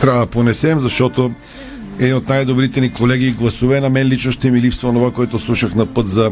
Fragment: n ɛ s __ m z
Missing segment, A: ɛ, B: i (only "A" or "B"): A